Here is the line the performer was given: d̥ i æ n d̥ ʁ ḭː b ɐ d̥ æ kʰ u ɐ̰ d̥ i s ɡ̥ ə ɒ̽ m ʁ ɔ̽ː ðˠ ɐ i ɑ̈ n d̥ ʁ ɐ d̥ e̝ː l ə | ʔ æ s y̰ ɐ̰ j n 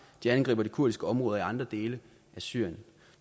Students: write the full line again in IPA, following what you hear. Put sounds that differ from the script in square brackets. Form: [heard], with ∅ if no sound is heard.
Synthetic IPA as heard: d̥ i æ n [ɡ̥] ʁ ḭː b ɐ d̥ [i] kʰ u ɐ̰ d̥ i s ɡ̥ ə ɒ̽ m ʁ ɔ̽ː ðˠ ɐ i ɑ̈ n d̥ ʁ ɐ d̥ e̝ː l ə | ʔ æ s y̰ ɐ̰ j n